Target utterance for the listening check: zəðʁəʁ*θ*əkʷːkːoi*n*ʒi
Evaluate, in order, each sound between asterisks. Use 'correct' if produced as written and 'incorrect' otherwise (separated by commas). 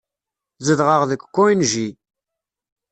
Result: incorrect, correct